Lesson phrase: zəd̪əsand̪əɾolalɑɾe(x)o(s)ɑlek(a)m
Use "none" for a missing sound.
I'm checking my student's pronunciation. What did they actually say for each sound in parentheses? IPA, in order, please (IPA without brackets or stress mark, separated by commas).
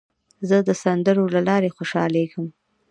x, ʃ, ə